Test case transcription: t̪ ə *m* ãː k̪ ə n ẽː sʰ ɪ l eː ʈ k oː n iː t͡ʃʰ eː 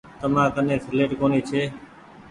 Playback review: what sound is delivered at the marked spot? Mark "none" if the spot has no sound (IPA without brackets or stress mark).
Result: m